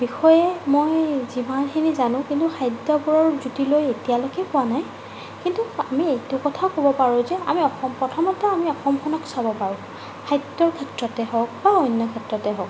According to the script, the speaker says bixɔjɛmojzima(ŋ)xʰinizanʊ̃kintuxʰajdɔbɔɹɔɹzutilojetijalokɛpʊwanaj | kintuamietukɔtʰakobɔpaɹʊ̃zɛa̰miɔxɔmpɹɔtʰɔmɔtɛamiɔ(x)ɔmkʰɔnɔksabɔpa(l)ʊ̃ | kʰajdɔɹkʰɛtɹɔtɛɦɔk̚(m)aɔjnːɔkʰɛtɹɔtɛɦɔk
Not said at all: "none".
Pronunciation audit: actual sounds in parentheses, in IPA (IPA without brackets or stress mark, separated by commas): n, x, ɹ, b